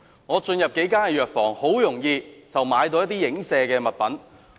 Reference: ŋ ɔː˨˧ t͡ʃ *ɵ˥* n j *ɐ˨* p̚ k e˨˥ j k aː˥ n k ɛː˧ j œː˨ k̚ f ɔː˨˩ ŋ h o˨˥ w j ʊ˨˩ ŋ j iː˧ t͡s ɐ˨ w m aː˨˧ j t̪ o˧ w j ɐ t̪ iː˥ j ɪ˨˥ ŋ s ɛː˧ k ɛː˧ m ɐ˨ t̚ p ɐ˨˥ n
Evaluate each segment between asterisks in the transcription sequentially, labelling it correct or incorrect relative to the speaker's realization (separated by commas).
incorrect, correct